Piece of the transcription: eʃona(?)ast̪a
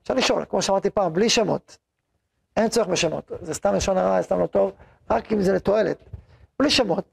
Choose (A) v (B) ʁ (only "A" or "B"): B